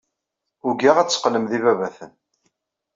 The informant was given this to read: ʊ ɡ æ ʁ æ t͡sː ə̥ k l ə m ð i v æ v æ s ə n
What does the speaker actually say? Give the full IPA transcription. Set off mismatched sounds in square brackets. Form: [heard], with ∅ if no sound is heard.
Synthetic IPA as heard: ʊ ɡ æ ʁ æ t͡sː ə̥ [q] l ə m ð i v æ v æ [θ] ə n